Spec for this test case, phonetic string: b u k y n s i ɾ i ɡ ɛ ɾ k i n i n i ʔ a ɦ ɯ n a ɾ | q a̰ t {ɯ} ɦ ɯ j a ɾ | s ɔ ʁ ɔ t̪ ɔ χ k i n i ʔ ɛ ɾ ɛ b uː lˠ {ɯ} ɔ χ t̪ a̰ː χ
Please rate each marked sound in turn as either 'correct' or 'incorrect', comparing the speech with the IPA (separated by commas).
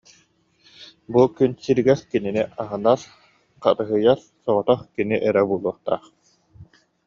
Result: correct, incorrect